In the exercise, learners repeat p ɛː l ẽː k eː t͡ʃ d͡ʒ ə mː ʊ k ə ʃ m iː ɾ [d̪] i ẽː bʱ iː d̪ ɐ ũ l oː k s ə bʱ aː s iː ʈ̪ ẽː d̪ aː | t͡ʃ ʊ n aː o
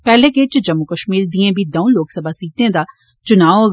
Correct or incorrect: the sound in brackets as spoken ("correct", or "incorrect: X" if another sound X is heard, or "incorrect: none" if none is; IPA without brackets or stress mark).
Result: correct